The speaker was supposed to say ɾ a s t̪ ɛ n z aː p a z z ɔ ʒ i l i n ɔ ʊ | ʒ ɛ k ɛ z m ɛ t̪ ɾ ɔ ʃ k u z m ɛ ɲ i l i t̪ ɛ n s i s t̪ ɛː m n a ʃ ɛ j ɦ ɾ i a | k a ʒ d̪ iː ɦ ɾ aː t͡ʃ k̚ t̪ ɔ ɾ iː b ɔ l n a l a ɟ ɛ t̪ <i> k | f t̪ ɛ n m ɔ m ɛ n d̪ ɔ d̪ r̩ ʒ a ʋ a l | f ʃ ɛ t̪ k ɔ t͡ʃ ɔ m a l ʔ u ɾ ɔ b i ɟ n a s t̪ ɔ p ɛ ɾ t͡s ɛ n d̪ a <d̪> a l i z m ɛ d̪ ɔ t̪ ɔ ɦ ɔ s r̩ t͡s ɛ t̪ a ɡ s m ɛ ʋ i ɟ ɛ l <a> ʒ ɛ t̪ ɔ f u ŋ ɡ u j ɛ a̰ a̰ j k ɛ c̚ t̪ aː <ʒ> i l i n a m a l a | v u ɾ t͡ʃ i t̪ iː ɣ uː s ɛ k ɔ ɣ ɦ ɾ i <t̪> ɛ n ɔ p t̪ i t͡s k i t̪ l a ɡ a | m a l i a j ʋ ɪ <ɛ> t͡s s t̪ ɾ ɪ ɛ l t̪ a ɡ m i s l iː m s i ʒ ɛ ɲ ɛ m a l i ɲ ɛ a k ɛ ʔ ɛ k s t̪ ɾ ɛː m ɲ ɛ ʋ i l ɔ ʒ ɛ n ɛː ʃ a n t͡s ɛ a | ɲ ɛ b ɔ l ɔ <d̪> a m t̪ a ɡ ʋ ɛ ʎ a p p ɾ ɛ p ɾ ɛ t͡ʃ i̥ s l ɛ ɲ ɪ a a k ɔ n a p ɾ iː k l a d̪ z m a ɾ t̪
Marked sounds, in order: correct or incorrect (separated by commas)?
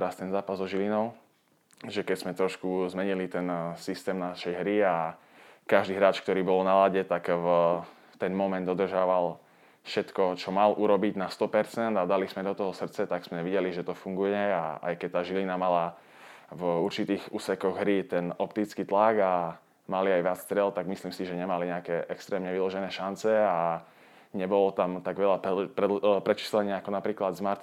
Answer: incorrect, correct, incorrect, correct, correct, incorrect, incorrect